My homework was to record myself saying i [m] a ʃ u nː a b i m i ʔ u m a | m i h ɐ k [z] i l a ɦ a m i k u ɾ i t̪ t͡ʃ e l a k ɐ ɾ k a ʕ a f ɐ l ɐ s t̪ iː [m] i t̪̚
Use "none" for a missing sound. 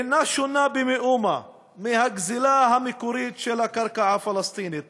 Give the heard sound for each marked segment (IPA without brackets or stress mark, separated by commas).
n, z, n